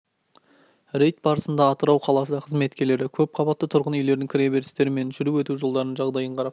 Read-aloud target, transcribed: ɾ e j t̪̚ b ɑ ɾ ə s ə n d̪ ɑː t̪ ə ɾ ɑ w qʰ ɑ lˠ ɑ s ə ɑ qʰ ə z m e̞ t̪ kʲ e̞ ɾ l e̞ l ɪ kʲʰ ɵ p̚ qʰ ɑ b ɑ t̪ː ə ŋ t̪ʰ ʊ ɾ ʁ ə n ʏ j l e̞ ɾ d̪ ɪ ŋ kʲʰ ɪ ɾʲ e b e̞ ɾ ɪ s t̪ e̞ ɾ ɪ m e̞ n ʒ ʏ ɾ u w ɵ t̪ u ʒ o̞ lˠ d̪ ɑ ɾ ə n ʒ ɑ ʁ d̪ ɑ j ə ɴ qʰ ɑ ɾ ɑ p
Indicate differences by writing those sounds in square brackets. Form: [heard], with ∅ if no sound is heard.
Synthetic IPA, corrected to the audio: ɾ e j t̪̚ b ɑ ɾ ə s ə n d̪ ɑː t̪ ə ɾ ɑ w qʰ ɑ lˠ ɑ s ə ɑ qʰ ə z m e̞ t̪ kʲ e̞ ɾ l e̞ [ɾ] ɪ kʲʰ ɵ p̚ qʰ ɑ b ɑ t̪ː ə [∅] t̪ʰ ʊ ɾ ʁ ə n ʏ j l e̞ ɾ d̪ ɪ ŋ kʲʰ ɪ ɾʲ e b e̞ ɾ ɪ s t̪ e̞ ɾ ɪ m e̞ n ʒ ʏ ɾ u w ɵ t̪ u ʒ o̞ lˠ d̪ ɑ ɾ ə n ʒ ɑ ʁ d̪ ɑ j ə ɴ qʰ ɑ ɾ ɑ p